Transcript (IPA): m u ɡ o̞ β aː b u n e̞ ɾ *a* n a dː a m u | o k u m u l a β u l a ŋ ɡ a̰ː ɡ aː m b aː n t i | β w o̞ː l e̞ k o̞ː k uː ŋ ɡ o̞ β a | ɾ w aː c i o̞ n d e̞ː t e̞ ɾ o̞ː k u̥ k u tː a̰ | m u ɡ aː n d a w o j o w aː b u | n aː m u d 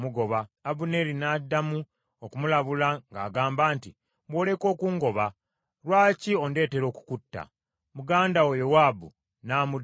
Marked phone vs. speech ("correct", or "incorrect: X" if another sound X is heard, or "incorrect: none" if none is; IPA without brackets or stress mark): incorrect: i